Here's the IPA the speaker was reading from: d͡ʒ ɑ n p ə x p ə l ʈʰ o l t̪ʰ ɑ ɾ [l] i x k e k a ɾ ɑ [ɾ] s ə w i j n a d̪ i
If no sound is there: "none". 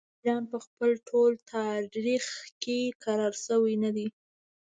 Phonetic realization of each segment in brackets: ɾ, ɾ

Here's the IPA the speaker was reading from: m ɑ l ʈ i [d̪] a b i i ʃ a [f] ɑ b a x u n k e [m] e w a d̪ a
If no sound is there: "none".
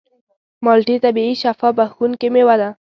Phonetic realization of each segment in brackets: t̪, f, m

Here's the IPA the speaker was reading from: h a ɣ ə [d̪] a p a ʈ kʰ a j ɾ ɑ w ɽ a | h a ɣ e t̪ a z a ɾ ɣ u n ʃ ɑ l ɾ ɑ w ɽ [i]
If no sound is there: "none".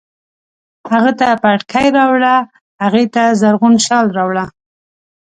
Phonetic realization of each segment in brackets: t̪, a

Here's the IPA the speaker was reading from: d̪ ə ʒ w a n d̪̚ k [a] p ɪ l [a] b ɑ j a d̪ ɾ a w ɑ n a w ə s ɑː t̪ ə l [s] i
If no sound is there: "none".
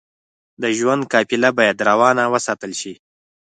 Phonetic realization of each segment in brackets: ɑ, a, ʃ

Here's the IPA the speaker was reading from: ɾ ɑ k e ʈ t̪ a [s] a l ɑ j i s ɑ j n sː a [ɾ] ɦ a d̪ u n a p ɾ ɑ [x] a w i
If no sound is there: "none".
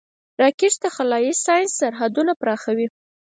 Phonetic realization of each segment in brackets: x, ɾ, x

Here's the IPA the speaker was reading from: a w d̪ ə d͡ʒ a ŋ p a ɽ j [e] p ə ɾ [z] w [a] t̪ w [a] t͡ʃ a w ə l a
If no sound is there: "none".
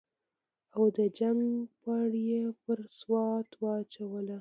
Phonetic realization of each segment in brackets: e, s, ɑ, ɑ

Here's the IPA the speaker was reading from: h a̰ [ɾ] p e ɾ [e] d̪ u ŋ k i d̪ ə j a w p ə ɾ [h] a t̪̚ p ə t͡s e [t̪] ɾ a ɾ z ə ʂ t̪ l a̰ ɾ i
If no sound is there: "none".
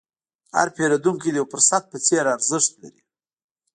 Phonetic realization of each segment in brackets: ɾ, a, s, none

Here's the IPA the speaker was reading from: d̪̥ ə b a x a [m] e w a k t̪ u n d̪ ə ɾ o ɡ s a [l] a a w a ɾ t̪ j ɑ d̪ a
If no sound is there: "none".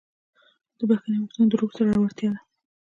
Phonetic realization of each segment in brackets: n, ɾ

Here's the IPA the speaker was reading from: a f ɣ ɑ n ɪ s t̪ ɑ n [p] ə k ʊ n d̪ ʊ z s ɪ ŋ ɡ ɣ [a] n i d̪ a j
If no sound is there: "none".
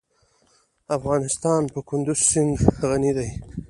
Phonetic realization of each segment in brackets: p, a

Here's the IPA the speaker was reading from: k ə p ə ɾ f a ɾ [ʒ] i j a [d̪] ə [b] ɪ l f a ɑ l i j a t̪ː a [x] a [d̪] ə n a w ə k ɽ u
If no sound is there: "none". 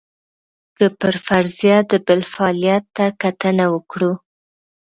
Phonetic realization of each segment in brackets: z, d̪, b, k, t̪

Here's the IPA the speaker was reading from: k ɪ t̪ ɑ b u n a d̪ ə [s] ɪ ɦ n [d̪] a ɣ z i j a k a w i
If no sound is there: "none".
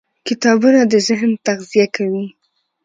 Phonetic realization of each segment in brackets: z, t̪

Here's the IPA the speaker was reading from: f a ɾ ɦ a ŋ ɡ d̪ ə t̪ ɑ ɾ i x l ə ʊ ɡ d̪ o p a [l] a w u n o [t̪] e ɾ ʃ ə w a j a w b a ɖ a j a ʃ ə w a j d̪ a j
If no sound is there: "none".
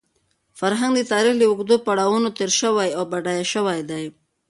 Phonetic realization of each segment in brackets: ɽ, t̪

